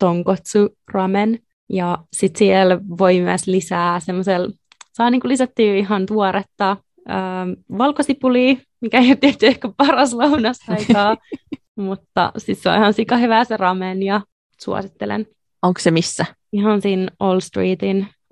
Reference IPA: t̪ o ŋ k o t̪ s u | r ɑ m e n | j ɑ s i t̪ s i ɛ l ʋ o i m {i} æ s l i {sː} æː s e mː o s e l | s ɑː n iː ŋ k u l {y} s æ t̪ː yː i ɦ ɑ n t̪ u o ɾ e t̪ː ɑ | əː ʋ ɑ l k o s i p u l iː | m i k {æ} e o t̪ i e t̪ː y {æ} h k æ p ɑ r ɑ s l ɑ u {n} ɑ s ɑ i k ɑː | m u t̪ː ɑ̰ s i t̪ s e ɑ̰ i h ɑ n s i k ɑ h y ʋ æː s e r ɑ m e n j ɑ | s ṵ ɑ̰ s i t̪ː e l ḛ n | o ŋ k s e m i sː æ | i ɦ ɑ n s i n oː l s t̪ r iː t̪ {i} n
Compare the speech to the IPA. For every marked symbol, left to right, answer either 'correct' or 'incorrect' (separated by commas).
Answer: incorrect, incorrect, incorrect, correct, incorrect, correct, correct